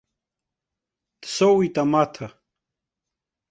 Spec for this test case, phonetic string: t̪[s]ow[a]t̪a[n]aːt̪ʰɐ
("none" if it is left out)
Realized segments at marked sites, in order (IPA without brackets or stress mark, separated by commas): s, i, m